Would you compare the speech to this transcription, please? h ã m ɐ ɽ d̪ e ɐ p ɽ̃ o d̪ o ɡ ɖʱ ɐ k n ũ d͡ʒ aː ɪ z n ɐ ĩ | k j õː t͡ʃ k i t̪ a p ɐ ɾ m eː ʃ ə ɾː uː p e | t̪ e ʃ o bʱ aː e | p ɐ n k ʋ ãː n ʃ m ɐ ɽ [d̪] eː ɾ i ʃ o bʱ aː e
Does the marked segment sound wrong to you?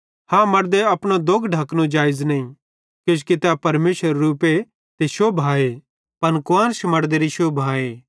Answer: no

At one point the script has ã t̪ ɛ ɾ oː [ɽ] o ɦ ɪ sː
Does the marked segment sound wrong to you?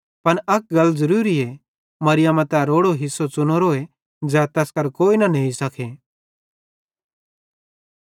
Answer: no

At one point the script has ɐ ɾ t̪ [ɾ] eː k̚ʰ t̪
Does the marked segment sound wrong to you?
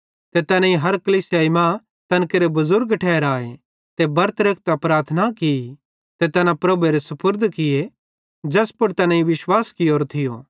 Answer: no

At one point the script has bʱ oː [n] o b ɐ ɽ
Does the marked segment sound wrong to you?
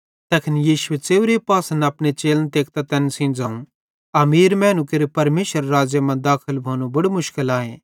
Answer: no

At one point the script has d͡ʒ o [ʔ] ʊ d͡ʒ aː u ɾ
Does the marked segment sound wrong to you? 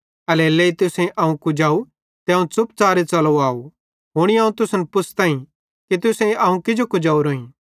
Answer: yes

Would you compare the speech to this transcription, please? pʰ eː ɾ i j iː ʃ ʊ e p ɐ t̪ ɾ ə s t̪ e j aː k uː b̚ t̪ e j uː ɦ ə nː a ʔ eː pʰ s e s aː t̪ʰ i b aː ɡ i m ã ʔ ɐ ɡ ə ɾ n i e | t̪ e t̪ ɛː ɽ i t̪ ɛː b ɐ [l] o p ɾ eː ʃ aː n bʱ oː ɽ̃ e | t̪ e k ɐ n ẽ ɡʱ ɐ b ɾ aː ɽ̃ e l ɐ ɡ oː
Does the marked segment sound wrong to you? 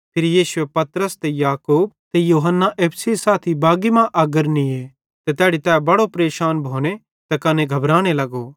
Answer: yes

